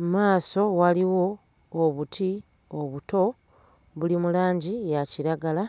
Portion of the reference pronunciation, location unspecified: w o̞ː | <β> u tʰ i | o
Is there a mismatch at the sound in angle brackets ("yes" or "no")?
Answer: no